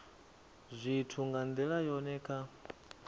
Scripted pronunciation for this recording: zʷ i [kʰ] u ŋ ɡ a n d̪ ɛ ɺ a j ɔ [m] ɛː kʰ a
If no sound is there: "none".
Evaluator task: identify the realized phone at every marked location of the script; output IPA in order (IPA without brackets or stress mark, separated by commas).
tʰ, n